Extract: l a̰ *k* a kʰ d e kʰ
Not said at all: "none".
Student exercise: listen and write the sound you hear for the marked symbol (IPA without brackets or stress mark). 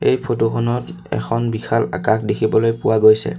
k